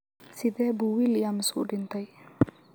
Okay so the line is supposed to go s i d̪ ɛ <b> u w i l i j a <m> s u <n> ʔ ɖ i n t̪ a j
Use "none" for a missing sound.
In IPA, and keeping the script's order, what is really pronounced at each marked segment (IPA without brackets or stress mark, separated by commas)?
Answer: b, m, none